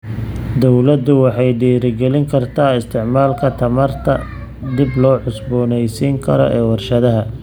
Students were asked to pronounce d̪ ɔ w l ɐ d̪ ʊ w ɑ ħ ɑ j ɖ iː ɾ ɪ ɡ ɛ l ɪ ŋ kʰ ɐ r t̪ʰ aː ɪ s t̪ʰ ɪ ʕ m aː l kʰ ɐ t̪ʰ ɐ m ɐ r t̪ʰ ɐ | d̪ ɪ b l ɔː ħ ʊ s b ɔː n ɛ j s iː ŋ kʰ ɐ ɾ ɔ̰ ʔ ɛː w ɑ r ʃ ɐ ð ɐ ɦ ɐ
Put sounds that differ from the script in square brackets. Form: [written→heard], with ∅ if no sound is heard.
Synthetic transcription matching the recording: d̪ ɔ w l ɐ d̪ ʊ w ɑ ħ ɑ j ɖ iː ɾ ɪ ɡ ɛ l ɪ ŋ kʰ ɐ r t̪ʰ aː ɪ s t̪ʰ ɪ ʕ m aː l kʰ ɐ t̪ʰ ɐ m ɐ r t̪ʰ ɐ | d̪ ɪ b l ɔː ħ ʊ s b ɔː n ɛ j s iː ŋ kʰ ɐ ɾ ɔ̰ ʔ ɛː w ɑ r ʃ ɐ ð ɐ ɦ ɐ